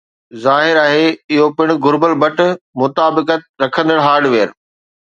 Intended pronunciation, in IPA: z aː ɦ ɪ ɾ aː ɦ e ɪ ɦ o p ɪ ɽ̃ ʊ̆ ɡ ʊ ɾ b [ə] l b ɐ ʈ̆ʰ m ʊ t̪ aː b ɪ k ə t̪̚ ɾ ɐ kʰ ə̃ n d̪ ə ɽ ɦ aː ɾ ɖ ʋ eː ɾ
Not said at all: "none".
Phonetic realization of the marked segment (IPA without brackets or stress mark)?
ə